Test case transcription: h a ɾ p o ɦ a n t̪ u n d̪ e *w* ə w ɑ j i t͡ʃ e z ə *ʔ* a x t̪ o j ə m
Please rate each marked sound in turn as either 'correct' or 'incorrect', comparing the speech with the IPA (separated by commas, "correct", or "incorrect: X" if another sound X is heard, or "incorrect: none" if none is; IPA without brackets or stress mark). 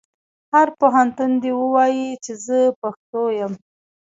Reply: correct, incorrect: p